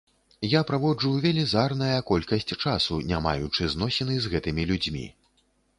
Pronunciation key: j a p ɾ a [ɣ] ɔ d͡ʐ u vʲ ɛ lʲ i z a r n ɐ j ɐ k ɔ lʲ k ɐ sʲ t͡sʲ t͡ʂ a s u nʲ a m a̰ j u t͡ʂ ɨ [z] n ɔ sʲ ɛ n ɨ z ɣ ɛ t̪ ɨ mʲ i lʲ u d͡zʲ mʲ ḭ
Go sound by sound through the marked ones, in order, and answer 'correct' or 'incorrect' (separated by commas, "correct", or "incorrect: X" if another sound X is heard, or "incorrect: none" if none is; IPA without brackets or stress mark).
incorrect: v, correct